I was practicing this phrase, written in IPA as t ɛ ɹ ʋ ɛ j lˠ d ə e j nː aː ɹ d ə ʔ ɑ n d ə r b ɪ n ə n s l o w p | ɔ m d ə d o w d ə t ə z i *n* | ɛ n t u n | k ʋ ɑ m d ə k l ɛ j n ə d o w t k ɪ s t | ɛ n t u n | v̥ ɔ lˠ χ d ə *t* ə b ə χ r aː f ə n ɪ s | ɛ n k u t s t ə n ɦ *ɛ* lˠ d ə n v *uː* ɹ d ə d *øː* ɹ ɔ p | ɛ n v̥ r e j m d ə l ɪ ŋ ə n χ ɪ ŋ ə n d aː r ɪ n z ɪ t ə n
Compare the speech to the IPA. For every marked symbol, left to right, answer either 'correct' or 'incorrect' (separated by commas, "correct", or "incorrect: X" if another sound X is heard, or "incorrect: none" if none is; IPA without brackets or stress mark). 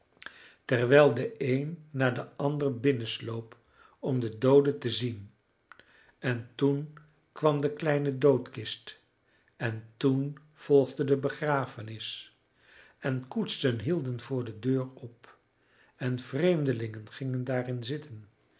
correct, incorrect: d, incorrect: i, incorrect: ʊː, correct